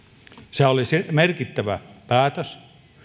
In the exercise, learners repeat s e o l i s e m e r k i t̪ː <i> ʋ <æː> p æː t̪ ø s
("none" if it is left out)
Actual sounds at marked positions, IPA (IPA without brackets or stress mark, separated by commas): æ, æ